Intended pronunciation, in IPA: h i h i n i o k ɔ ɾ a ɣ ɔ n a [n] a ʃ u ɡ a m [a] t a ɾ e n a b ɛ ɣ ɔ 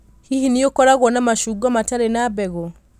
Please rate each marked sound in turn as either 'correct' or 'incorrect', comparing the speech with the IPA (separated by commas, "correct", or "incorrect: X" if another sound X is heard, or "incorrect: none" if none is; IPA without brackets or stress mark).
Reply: incorrect: m, correct